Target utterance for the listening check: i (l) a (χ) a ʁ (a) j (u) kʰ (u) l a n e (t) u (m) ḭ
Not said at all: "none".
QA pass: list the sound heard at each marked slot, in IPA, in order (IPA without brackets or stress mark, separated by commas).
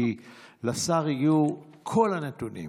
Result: l, s, i, u, o, t, n